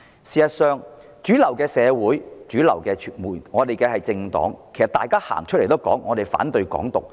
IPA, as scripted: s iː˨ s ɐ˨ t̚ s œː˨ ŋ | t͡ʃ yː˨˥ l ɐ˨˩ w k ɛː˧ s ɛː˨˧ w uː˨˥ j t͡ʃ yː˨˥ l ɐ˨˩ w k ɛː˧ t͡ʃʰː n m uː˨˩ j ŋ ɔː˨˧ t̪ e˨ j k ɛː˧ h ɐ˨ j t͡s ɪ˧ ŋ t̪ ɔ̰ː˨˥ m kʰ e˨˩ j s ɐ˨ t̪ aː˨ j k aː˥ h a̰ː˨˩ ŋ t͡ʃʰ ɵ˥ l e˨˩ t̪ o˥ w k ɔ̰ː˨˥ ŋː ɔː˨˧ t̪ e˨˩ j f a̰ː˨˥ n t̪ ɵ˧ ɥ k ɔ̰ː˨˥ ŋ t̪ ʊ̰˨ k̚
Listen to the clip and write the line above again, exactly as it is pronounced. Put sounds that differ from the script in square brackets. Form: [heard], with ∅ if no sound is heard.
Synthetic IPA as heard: s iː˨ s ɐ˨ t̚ s œː˨ ŋ | t͡ʃ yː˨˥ l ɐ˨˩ w k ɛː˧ s ɛː˨˧ w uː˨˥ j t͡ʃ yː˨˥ l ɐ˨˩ w k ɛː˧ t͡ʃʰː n m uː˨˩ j ŋ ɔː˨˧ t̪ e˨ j k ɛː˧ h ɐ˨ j t͡s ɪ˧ ŋ t̪ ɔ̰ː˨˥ [ŋ] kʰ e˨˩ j s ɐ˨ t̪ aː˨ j k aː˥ h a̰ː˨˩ ŋ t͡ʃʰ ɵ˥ l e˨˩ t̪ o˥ w k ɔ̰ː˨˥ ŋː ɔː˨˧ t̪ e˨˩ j f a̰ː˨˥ n t̪ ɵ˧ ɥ k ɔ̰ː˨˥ ŋ t̪ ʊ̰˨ k̚

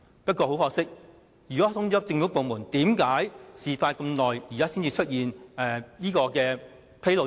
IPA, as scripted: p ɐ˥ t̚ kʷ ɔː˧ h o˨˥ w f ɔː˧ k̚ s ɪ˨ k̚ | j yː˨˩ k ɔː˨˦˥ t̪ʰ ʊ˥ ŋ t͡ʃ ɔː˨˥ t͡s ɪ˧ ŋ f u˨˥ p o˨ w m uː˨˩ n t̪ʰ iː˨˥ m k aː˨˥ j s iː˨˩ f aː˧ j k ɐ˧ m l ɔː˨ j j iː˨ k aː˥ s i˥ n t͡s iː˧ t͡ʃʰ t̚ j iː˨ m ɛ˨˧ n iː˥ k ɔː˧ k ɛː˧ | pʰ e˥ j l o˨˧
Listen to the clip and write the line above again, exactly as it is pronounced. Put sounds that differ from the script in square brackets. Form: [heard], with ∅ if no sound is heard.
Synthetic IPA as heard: p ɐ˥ t̚ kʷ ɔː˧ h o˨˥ w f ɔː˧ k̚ s [ɪ˥] k̚ | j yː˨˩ k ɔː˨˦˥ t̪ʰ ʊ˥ ŋ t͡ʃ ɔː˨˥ t͡s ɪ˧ ŋ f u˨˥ p o˨ w m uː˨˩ n [t̪] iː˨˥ m k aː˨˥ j s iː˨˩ f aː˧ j k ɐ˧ m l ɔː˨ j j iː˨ k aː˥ s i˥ n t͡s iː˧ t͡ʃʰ t̚ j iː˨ [n] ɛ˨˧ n iː˥ k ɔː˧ k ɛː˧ | pʰ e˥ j l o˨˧

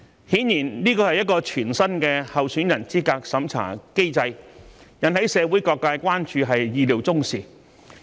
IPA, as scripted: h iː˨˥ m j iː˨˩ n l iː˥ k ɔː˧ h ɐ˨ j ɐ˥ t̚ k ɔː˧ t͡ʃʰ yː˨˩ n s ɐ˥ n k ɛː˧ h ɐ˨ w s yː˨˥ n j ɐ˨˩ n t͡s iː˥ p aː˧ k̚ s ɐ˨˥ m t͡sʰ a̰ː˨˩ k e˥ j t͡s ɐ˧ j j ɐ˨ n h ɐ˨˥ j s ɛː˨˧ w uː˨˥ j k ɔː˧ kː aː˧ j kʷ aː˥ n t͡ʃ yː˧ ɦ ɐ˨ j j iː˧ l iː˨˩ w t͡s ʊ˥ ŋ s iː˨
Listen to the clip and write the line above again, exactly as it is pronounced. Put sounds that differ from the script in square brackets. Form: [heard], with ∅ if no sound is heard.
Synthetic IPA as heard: h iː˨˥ [n] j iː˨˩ n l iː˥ k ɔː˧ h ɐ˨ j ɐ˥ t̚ k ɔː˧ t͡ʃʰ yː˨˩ n s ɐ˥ n k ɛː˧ h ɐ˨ w s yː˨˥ n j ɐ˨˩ n t͡s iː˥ [k] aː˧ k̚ s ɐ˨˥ m t͡sʰ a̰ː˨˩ k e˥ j t͡s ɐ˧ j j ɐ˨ n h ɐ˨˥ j s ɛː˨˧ w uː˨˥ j k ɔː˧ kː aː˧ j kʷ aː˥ n t͡ʃ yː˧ ɦ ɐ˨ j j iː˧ l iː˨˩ w t͡s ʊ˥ ŋ s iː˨

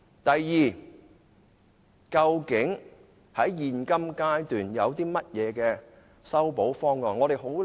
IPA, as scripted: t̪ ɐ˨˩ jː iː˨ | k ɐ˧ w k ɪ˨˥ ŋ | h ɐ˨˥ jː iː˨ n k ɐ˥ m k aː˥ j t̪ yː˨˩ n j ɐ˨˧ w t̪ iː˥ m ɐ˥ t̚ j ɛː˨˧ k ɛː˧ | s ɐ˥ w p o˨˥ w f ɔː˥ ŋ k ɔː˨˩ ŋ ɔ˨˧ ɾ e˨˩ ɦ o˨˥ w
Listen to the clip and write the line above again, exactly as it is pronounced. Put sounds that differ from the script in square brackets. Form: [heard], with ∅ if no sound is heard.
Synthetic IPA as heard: t̪ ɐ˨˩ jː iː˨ | k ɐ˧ w k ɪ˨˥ ŋ | h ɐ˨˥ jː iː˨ n k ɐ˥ m k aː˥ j t̪ yː˨˩ n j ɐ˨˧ w t̪ iː˥ m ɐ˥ t̚ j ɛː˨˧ k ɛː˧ | s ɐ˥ w p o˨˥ w f ɔː˥ ŋ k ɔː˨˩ ŋ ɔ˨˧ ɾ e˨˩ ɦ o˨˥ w

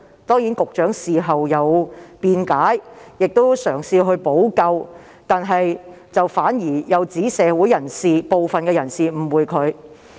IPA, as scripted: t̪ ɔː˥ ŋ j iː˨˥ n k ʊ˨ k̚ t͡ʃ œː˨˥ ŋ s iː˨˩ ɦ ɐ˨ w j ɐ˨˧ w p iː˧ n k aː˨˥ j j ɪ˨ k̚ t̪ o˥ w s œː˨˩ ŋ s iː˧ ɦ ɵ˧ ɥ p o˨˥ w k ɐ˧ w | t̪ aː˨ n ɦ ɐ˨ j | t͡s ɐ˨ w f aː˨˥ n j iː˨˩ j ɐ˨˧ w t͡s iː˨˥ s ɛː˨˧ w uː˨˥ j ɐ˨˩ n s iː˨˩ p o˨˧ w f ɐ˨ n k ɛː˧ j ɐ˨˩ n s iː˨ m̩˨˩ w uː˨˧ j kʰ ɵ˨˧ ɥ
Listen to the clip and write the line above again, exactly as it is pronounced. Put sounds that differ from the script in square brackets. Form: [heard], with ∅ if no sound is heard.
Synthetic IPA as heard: t̪ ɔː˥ ŋ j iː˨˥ n k ʊ˨ k̚ t͡ʃ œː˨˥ ŋ s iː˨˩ ɦ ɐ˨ w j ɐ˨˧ w p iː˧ n k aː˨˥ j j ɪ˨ k̚ t̪ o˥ w s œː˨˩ ŋ s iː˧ ɦ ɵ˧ ɥ p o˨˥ w k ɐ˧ w | t̪ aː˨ n ɦ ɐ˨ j | t͡s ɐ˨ w f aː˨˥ n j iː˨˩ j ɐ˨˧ w t͡s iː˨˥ s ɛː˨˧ w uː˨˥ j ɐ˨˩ n s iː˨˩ p o˨˧ w f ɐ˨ n k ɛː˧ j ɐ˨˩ n s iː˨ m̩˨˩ w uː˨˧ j kʰ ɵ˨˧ ɥ

